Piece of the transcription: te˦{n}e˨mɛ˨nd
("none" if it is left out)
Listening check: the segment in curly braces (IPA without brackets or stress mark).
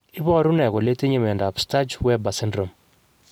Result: ɲ